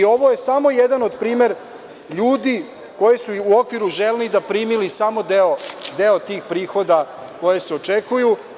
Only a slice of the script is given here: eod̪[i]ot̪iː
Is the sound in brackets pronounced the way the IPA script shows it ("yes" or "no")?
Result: no